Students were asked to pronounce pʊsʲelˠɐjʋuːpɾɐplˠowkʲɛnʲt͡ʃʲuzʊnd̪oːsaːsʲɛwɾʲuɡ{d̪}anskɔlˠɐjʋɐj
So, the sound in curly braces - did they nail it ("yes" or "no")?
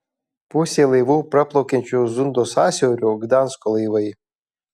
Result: yes